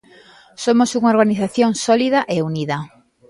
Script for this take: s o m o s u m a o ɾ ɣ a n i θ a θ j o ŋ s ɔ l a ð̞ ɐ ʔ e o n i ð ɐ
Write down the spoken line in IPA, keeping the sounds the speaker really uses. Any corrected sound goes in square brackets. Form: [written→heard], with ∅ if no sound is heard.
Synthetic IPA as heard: s o m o s u [m→ŋ] a o ɾ ɣ a n i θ a θ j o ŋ s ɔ l [a→i] ð̞ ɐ ʔ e [o→u] n i ð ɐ